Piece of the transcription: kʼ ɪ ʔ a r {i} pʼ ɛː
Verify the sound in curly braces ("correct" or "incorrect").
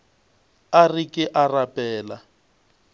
incorrect